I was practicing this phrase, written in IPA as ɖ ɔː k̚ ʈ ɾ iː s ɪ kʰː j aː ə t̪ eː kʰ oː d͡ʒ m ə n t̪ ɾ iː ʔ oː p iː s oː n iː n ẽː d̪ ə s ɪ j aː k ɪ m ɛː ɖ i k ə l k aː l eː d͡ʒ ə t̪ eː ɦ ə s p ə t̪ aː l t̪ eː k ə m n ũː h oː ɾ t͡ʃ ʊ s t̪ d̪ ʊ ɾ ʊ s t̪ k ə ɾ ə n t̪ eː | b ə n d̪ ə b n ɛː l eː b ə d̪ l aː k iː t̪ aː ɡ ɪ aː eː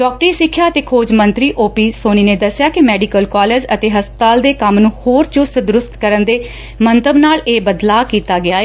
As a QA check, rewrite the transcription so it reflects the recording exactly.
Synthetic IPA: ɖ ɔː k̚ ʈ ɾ iː s ɪ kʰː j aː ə t̪ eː kʰ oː d͡ʒ m ə n t̪ ɾ iː ʔ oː p iː s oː n iː n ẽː d̪ ə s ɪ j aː k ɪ m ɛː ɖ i k ə l k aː l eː d͡ʒ ə t̪ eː ɦ ə s p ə t̪ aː l d̪ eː k ə m n ũː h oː ɾ t͡ʃ ʊ s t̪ d̪ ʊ ɾ ʊ s t̪ k ə ɾ ə n d̪ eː | m ə n t̪ ə b n aː l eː b ə d̪ l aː k iː t̪ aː ɡ ɪ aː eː

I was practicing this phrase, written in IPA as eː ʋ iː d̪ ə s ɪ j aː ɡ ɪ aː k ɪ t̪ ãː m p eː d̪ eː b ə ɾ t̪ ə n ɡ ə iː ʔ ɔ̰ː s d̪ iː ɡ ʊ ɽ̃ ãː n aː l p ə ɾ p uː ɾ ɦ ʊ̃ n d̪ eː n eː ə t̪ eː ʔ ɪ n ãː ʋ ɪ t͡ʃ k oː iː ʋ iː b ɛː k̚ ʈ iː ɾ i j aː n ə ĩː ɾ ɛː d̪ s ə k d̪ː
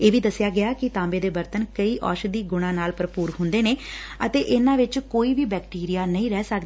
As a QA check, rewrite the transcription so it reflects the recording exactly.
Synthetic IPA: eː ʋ iː d̪ ə s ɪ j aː ɡ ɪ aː k ɪ t̪ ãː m b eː d̪ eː b ə ɾ t̪ ə n k ə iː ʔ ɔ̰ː ʃ d̪ iː ɡ ʊ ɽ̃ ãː n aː l p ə ɾ p uː ɾ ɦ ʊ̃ n d̪ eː n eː ə t̪ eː ʔ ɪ n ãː ʋ ɪ t͡ʃ k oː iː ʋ iː b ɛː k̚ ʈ iː ɾ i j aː n ə ĩː ɾ ɛː s ə k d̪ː

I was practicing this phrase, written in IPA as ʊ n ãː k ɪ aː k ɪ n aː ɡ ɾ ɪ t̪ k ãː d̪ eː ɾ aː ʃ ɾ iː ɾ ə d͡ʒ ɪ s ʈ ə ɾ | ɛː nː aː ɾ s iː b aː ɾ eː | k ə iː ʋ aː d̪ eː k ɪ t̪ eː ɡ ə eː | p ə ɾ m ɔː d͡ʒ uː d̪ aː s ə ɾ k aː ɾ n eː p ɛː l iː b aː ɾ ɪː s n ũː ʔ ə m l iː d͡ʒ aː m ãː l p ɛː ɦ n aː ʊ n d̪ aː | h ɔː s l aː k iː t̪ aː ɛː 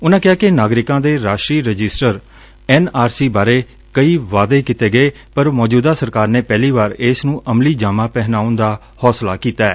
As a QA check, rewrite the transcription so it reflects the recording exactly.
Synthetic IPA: ʊ n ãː k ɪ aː k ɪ n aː ɡ ɾ ɪ k ãː d̪ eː ɾ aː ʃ ɾ iː ɾ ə d͡ʒ ɪ s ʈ ə ɾ | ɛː n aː ɾ s iː b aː ɾ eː | k ə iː ʋ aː d̪ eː k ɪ t̪ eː ɡ ə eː | p ə ɾ m ɔː d͡ʒ uː d̪ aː s ə ɾ k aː ɾ n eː p ɛː l iː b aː ɾ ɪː s n ũː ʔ ə m l iː d͡ʒ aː m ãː p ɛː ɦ n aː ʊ n d̪ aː | h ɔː s l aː k iː t̪ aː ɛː

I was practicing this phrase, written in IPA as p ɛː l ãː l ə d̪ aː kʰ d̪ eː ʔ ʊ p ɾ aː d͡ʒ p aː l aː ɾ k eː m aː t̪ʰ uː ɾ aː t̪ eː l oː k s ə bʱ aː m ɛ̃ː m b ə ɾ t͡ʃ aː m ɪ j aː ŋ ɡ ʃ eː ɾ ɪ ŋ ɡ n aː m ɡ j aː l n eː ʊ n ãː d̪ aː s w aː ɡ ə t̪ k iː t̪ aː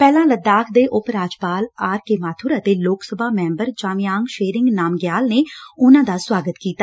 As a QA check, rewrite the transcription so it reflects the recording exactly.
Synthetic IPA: p ɛː l ãː l ə d̪ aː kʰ d̪ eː ʔ ʊ p ɾ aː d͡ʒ p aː l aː ɾ k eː m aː t̪ʰ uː ɾ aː t̪ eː l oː k s ə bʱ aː m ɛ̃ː m b ə ɾ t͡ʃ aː m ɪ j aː ŋ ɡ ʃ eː ɾ ɪ ŋ ɡ n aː m ɡ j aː l n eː ʊ n ãː d̪ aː s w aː ɡ ə t̪ k iː t̪ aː

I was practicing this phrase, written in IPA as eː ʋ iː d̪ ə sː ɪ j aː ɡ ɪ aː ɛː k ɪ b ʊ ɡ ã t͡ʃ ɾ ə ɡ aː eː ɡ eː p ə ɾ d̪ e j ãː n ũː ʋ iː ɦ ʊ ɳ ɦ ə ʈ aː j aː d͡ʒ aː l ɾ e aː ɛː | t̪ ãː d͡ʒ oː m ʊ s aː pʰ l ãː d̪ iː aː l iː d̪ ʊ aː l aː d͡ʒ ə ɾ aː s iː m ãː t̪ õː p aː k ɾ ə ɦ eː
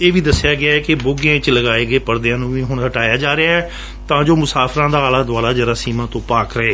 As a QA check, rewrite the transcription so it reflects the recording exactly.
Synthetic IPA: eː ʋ iː d̪ ə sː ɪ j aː ɡ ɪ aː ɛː k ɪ b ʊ ɡ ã t͡ʃ l ə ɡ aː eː ɡ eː p ə ɾ d̪ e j ãː n ũː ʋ iː ɦ ʊ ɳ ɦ ə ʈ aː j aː d͡ʒ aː ɾ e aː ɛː | t̪ ãː d͡ʒ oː m ʊ s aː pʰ ɾ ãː d̪ aː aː l aː d̪ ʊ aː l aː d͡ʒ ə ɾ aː s iː m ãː t̪ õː p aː k ɾ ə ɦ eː

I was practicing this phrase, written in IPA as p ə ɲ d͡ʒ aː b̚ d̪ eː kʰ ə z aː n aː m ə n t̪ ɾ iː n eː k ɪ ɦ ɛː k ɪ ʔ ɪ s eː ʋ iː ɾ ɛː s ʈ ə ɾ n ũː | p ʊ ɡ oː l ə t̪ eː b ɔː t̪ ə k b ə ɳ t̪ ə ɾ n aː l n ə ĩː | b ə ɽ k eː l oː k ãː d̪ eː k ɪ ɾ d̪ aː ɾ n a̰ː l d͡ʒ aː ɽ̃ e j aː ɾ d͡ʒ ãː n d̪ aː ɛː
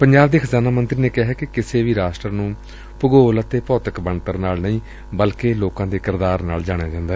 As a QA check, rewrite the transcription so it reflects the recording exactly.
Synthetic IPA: p ə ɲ d͡ʒ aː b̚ d̪ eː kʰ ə z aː n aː m ə n t̪ ɾ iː n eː k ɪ ɦ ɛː k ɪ k ɪ s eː ʋ iː ɾ aː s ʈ ə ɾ n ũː | p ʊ ɡ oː l ə t̪ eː p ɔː t̪ ə k b ə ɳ t̪ ə ɾ n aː l n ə ĩː | b ə l k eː l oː k ãː d̪ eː k ɪ ɾ d̪ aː ɾ n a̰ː l d͡ʒ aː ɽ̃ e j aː d͡ʒ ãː n d̪ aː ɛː

